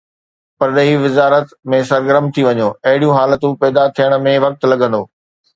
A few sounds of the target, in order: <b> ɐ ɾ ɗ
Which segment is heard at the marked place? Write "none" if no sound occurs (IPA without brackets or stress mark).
p